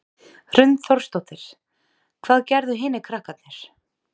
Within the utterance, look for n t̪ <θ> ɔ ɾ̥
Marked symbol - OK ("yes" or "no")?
yes